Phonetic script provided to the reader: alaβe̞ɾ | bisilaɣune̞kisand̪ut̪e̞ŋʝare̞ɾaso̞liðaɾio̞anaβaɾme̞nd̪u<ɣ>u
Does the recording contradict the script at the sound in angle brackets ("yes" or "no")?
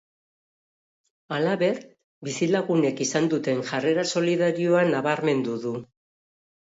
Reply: yes